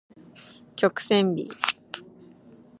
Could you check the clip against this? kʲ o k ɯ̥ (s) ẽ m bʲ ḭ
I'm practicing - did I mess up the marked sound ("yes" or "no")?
no